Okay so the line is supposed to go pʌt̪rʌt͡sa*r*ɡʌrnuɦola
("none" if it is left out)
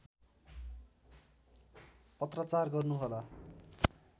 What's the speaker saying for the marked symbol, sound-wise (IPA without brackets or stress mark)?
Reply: r